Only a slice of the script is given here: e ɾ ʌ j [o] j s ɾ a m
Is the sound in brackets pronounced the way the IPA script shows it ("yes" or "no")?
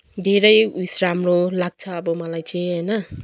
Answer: no